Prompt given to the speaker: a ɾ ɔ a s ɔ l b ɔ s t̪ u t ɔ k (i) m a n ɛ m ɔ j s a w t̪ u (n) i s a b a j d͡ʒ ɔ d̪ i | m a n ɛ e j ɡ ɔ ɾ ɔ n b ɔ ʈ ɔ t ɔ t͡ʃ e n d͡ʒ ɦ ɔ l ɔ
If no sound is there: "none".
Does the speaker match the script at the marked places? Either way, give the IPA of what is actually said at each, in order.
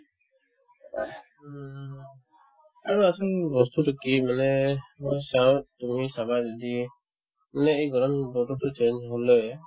i, m

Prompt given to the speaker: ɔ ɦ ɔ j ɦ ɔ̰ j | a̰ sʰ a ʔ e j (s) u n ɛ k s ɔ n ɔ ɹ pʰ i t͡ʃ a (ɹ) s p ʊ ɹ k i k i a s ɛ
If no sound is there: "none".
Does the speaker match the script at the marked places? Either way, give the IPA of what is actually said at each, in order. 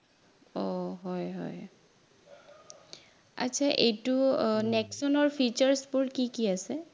t, ɹ

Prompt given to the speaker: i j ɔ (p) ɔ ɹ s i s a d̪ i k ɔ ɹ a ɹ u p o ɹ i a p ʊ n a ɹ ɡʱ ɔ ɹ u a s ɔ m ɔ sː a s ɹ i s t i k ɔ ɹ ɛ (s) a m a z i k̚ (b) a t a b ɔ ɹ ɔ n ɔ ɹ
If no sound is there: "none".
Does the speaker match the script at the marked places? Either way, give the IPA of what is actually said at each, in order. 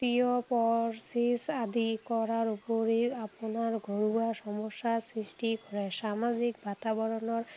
p, s, b

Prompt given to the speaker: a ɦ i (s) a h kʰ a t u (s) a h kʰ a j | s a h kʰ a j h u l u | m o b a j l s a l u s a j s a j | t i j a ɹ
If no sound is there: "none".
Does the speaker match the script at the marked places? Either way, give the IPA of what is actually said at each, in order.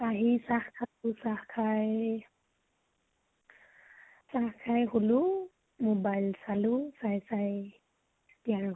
s, s

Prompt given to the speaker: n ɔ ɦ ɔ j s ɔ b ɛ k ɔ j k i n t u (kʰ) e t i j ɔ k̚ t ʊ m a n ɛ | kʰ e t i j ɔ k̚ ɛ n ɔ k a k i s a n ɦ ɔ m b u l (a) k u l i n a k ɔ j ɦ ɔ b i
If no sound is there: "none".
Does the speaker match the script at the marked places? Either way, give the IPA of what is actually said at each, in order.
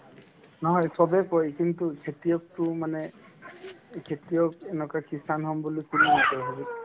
kʰ, i

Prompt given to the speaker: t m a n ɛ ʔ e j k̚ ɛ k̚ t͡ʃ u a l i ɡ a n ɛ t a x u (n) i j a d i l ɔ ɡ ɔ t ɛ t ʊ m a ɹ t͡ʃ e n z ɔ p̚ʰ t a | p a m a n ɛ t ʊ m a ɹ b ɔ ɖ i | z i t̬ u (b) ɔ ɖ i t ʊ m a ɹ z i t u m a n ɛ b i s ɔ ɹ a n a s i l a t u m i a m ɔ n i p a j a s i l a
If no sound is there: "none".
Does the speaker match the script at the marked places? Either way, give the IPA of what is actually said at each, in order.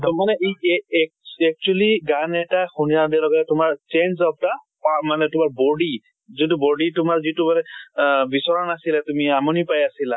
n, b

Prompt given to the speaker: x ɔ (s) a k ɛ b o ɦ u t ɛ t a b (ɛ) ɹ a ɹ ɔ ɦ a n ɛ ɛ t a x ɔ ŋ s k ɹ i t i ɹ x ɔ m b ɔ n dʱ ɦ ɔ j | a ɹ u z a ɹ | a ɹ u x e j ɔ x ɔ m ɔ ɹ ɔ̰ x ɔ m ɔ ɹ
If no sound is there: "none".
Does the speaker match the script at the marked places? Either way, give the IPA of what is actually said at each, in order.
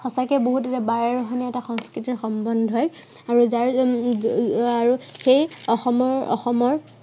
s, a

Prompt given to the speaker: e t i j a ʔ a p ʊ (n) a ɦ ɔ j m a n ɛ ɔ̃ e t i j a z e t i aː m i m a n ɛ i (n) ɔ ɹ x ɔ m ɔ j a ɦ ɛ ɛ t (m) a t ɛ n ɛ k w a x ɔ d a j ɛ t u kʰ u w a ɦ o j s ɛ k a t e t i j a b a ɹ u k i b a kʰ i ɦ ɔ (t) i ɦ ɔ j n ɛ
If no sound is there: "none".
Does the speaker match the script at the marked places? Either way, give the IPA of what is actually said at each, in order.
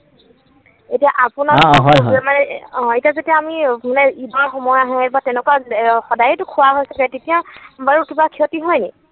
n, d, b, t

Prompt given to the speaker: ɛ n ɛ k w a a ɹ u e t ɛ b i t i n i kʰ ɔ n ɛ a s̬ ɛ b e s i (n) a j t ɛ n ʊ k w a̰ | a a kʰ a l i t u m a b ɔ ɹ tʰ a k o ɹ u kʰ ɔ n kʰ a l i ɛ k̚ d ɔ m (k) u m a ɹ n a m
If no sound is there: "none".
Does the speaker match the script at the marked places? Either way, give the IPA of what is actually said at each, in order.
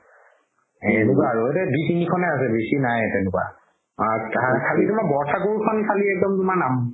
n, t

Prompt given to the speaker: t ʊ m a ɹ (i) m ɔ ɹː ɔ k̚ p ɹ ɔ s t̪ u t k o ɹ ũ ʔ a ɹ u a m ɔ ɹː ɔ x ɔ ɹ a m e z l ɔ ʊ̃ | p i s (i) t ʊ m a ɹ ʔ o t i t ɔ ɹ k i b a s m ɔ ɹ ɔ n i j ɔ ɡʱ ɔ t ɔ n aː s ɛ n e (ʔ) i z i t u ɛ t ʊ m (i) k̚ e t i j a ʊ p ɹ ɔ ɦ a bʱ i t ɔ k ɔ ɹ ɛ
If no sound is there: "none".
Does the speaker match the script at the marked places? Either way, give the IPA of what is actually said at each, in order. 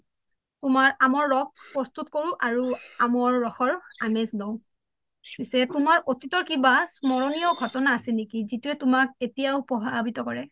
a, ɛ, k, a

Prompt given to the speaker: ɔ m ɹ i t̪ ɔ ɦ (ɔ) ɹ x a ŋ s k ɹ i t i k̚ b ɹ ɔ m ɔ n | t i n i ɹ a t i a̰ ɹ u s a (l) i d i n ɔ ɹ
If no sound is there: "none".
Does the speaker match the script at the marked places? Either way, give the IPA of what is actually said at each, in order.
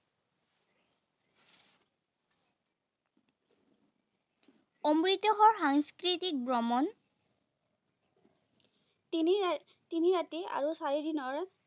ɔ, ɹ

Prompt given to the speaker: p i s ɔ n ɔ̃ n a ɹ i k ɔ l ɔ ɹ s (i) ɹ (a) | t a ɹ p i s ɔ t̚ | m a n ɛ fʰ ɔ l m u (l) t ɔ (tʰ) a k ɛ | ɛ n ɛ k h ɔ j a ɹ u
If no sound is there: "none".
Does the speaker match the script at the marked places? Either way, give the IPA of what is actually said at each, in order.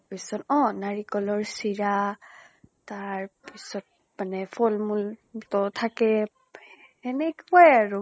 i, a, l, tʰ

